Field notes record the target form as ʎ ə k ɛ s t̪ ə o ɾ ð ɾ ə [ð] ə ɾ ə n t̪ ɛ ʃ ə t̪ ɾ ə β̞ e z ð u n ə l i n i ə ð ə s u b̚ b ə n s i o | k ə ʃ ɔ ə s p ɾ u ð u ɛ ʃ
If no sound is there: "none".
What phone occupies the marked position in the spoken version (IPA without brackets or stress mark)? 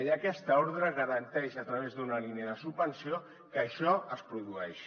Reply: ɣ